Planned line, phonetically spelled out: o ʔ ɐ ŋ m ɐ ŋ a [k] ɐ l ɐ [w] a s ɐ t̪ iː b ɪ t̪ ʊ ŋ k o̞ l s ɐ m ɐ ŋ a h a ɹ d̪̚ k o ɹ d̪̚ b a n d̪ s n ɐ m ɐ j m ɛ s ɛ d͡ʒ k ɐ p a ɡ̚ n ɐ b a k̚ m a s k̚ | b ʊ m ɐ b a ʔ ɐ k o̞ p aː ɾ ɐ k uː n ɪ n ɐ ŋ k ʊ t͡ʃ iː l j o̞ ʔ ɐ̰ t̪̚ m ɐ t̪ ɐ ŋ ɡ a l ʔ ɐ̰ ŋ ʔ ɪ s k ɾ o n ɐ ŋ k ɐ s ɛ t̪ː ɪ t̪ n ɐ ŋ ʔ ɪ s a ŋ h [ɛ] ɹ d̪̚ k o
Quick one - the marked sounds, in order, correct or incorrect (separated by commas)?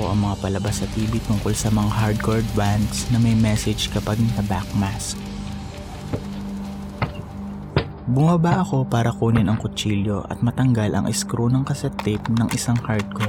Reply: incorrect, incorrect, incorrect